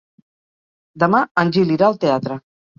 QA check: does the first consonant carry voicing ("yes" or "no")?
yes